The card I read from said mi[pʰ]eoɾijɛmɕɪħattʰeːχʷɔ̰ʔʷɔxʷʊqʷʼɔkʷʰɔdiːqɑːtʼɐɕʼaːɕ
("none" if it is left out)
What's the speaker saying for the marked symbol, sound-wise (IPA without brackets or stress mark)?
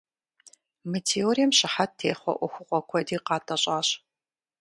tʰ